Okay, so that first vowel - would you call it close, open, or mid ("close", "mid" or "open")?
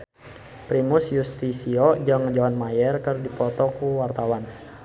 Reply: close